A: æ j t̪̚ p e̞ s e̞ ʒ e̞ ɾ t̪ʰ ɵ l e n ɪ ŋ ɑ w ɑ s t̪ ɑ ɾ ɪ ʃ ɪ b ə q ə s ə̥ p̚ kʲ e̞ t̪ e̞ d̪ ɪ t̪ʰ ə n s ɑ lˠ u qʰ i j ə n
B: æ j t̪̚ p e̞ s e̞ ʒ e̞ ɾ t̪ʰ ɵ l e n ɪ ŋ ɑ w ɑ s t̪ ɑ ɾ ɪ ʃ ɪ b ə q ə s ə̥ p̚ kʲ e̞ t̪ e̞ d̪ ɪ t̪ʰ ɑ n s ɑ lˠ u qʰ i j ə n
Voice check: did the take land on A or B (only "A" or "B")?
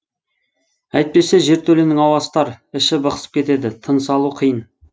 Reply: A